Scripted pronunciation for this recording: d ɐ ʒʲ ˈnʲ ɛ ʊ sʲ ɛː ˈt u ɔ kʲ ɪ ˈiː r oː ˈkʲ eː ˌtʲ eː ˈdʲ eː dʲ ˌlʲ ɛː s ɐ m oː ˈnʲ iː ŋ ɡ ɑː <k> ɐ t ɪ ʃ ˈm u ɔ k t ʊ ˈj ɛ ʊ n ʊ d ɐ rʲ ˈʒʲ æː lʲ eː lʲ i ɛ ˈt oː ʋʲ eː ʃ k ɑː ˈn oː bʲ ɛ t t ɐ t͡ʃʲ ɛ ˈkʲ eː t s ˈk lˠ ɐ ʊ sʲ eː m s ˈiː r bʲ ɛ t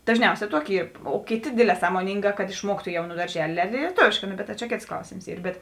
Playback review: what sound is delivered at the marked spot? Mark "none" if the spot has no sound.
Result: k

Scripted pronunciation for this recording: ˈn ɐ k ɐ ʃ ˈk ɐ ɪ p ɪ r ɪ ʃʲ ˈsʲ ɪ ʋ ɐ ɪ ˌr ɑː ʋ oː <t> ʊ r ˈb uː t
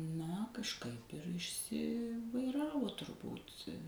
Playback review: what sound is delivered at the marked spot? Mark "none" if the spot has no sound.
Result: t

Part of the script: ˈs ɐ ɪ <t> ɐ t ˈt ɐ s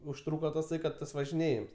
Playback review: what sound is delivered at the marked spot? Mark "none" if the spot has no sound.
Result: k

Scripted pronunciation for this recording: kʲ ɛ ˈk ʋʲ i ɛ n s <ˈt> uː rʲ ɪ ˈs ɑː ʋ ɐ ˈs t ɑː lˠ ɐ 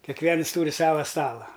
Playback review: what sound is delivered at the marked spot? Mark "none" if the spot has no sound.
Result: t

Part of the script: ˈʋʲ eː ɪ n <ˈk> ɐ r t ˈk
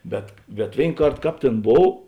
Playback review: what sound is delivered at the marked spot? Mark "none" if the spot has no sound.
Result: k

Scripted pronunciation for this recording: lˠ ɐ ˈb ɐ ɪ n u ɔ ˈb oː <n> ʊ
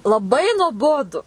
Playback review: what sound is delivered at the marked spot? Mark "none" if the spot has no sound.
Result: d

